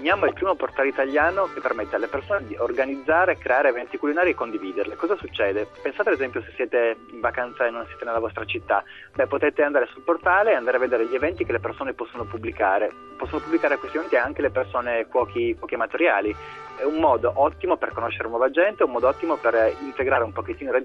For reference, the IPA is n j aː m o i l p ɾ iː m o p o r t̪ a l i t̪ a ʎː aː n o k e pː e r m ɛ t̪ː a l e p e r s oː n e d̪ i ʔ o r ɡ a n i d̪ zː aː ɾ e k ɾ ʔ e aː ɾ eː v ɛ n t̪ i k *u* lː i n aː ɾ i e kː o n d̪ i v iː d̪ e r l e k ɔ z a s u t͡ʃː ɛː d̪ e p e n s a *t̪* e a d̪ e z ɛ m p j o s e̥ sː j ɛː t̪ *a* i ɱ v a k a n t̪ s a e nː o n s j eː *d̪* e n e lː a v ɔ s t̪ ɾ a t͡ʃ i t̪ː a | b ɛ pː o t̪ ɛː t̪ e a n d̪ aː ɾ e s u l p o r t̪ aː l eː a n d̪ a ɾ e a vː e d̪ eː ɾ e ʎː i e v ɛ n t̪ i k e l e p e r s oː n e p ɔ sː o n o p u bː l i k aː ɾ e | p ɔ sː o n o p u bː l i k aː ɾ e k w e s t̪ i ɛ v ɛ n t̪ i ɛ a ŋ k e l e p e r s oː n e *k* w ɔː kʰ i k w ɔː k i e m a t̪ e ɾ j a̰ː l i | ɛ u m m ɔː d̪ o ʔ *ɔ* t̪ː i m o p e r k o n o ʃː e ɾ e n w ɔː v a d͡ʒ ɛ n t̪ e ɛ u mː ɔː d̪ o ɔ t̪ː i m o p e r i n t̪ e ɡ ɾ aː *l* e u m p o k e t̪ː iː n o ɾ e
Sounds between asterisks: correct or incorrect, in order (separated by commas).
correct, correct, incorrect, incorrect, correct, correct, incorrect